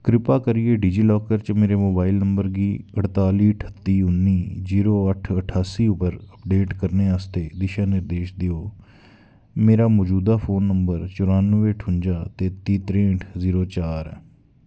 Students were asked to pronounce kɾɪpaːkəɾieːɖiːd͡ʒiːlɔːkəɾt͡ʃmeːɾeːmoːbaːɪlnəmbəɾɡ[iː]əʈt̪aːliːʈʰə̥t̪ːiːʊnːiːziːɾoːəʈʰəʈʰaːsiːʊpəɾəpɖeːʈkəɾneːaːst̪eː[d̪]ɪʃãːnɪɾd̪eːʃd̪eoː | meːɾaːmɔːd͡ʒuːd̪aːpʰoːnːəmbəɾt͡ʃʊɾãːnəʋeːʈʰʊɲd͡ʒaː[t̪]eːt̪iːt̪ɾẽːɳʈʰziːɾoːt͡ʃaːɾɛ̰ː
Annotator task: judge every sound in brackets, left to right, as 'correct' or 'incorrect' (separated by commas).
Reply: correct, correct, correct